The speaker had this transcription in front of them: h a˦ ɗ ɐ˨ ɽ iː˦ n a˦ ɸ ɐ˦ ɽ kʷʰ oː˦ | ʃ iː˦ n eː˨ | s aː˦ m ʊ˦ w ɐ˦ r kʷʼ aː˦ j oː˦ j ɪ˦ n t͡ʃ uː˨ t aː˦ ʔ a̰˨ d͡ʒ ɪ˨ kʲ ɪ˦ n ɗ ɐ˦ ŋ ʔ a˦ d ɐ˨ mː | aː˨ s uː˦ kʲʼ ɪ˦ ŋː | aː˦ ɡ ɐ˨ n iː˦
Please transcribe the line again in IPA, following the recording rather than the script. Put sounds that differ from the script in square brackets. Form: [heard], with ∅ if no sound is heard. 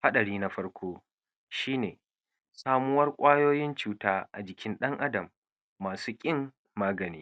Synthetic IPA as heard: h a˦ ɗ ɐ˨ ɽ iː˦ n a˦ ɸ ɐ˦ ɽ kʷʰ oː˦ | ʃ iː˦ n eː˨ | s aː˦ m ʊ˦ w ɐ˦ r kʷʼ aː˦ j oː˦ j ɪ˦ n t͡ʃ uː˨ t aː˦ ʔ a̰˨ d͡ʒ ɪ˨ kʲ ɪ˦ n ɗ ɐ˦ ŋ ʔ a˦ d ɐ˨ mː | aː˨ s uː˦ kʲʼ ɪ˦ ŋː | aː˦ ɡ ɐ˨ n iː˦

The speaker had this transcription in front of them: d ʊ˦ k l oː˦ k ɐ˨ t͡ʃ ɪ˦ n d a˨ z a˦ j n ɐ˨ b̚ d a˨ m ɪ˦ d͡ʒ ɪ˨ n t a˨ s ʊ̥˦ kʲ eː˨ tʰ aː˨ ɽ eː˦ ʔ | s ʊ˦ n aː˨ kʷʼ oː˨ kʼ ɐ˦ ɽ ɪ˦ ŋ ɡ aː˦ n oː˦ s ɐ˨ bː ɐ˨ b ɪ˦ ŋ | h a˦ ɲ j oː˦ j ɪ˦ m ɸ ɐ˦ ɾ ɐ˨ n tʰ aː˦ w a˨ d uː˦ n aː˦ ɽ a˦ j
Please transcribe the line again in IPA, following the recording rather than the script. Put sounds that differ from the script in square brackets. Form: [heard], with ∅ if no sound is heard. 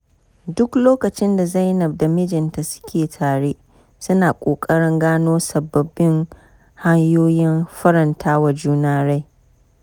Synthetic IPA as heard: d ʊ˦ k l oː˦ k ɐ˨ t͡ʃ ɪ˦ n d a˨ z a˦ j n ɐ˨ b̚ d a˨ m ɪ˦ d͡ʒ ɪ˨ n t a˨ s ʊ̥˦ kʲ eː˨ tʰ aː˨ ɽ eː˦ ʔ | s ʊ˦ n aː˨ kʷʼ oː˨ kʼ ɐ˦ ɽ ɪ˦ ŋ ɡ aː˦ n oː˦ s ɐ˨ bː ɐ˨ b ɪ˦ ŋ | h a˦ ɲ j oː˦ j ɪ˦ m ɸ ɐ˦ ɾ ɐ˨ n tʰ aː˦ w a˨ [d͡ʒ] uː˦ n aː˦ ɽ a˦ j

